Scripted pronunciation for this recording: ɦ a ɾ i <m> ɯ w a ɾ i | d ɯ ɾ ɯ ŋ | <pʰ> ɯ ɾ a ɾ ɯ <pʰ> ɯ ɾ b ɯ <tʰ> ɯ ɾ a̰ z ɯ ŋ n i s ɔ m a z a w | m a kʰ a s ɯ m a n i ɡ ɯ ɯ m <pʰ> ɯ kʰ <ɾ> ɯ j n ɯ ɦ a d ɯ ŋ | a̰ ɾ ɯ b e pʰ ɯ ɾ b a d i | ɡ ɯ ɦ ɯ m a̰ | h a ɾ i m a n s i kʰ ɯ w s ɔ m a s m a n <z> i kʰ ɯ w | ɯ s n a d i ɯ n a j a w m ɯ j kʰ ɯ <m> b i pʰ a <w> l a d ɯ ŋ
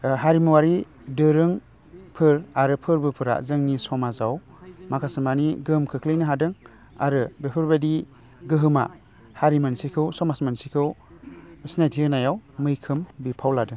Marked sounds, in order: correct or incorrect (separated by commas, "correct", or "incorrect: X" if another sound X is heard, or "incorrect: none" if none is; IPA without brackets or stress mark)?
correct, correct, correct, incorrect: pʰ, incorrect: kʰ, incorrect: l, incorrect: s, correct, correct